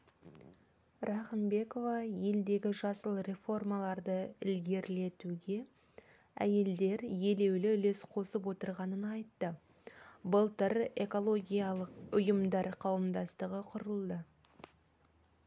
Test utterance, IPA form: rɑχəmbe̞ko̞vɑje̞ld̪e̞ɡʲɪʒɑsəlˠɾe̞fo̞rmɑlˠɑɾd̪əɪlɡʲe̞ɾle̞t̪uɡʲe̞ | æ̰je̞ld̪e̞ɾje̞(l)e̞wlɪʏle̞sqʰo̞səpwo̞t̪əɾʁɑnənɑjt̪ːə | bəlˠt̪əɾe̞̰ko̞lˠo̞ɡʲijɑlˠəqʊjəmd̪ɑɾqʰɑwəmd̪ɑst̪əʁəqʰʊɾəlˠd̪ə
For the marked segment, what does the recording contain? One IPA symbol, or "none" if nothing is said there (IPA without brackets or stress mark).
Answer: l